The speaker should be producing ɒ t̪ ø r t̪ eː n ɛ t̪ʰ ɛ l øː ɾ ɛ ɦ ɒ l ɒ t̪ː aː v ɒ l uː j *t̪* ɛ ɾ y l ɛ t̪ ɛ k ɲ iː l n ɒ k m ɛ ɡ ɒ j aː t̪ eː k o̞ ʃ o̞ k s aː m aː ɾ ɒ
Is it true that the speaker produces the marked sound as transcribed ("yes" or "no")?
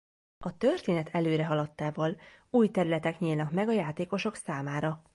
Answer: yes